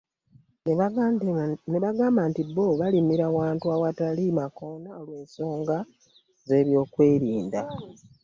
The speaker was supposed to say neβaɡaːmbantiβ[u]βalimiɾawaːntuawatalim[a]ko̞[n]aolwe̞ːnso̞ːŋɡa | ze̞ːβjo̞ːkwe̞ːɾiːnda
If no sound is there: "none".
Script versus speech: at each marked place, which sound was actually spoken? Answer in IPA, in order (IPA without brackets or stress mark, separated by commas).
o, a, n